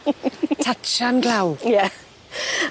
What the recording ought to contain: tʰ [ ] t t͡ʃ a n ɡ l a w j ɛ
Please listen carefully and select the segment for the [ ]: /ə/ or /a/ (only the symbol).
a